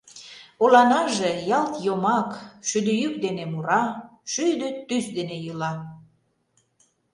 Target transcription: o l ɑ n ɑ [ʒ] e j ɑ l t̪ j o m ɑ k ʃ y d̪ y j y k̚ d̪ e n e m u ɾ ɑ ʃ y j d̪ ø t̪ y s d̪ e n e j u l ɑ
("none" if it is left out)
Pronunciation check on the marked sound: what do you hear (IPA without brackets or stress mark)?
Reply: ʒ